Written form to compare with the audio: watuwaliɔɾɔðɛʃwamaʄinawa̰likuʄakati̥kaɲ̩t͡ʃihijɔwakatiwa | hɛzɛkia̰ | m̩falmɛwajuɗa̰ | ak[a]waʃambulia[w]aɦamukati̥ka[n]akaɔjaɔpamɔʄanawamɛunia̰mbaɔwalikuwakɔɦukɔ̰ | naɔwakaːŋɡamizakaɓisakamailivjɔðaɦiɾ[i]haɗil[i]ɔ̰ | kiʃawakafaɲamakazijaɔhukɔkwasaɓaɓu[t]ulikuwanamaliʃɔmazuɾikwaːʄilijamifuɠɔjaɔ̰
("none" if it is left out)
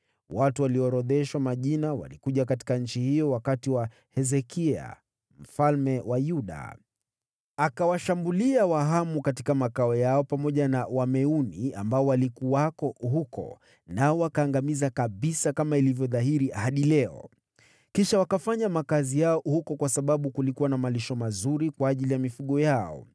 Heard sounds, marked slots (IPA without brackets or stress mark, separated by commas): a, w, m, i, ɛ, k